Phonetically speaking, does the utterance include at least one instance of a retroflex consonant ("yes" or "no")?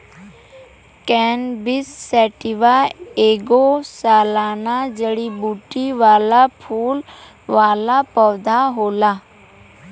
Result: yes